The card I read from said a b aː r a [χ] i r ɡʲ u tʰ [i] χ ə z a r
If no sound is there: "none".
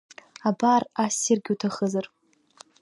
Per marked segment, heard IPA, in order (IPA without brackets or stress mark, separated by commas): s, a